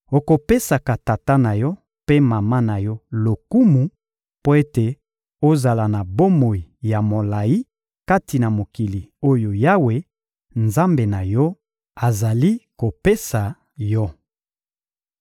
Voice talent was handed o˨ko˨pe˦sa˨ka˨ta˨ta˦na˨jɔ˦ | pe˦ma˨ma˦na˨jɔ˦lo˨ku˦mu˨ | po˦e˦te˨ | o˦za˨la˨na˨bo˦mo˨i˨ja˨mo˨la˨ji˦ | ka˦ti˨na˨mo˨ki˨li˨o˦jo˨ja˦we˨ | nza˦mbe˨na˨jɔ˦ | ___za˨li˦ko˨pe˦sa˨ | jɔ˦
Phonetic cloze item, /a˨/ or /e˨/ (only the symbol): a˨